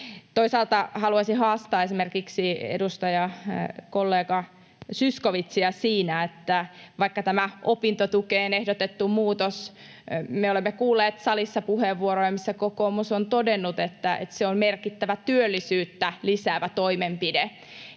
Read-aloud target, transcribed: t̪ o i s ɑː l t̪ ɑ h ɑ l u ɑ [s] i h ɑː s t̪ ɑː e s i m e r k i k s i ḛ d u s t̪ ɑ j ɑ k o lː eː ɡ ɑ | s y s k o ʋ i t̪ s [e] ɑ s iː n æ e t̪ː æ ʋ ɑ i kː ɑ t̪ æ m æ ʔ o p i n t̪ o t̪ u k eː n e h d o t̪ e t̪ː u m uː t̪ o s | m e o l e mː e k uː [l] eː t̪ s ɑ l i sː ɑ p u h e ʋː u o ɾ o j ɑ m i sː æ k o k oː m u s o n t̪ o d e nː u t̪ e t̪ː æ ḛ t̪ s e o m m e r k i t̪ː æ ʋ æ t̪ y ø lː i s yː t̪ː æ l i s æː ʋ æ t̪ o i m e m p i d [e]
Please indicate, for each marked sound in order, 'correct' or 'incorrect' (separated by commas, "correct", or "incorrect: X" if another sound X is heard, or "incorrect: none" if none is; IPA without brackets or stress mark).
correct, incorrect: i, incorrect: lː, correct